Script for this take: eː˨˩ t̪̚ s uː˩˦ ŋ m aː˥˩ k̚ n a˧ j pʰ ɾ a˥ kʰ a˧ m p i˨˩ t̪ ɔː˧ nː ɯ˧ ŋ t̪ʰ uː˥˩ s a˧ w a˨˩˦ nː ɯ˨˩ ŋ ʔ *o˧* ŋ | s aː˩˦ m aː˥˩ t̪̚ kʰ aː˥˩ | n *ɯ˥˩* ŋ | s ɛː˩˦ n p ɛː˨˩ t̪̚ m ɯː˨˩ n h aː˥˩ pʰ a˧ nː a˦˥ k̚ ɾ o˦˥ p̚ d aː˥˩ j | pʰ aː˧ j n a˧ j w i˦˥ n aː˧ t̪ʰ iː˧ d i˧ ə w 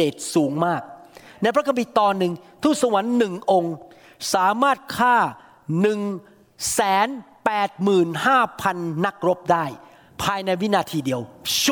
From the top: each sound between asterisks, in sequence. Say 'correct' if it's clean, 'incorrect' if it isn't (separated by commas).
correct, incorrect